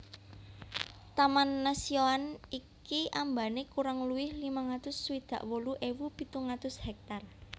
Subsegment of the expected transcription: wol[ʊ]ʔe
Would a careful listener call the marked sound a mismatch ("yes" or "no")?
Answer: yes